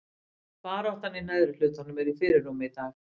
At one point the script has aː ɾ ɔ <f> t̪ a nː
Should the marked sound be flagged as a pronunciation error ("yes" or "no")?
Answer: yes